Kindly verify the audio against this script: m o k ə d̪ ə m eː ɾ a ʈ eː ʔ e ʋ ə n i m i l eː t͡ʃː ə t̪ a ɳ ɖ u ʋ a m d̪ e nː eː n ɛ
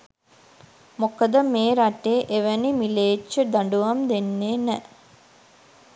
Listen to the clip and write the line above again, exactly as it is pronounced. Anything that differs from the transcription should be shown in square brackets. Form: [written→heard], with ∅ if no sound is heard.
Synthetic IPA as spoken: m o k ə d̪ ə m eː ɾ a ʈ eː ʔ e ʋ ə n i m i l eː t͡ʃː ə [t̪→d̪] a ɳ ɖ u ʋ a m d̪ e nː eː n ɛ